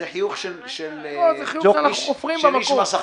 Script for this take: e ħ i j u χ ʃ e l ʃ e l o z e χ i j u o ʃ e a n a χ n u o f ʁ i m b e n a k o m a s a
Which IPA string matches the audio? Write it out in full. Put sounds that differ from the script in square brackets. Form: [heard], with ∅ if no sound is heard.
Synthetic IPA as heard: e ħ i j u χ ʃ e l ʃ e l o z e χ i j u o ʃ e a n a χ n u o f ʁ i m b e [m] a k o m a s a